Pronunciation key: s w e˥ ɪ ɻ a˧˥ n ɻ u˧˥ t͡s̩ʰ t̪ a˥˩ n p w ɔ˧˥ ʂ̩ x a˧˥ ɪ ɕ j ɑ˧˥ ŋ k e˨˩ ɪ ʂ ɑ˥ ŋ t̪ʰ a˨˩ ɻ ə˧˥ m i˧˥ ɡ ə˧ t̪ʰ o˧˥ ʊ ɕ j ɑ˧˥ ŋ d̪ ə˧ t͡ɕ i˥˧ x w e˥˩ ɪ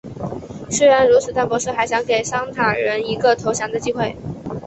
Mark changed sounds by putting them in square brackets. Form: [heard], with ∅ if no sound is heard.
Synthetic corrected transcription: s w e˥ ɪ ɻ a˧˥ n ɻ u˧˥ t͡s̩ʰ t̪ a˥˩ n p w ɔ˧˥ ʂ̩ x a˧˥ ɪ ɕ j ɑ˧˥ ŋ k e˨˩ ɪ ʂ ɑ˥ ŋ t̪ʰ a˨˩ ɻ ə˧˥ [n] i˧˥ ɡ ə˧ t̪ʰ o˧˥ ʊ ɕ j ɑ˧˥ ŋ d̪ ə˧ t͡ɕ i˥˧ x w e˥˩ ɪ